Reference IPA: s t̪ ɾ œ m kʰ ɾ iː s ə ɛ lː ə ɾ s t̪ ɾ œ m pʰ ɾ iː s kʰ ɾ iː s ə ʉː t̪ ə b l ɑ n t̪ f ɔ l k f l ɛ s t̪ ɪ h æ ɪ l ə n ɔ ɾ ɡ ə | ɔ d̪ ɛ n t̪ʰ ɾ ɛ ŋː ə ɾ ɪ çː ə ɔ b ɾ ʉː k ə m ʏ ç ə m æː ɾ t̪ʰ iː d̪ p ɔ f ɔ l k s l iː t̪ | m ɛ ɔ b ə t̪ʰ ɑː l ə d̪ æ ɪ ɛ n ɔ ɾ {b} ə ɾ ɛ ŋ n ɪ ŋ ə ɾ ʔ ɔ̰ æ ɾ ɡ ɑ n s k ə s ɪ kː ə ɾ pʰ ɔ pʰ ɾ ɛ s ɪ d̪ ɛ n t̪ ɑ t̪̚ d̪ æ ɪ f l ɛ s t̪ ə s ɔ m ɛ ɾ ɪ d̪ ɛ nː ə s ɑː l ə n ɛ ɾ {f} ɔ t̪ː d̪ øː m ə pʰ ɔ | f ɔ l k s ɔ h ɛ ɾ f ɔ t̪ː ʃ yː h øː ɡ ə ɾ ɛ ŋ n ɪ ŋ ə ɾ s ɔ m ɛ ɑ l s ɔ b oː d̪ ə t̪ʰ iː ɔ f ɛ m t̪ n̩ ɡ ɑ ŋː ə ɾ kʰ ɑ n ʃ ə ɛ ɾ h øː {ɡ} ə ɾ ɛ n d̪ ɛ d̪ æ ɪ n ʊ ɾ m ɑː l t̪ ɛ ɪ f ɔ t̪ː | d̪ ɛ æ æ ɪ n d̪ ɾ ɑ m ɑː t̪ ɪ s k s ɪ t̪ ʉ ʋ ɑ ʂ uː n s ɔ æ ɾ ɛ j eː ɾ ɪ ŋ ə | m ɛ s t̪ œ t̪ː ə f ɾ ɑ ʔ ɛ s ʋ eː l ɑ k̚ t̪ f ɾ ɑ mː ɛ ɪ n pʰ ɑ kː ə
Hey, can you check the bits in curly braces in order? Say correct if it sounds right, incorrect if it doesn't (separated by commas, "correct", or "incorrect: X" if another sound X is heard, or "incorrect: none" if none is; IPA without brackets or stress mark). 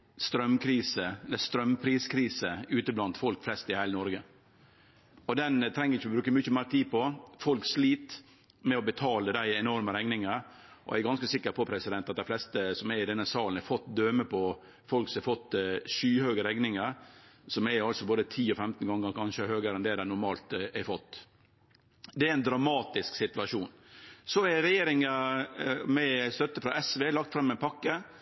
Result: incorrect: m, correct, correct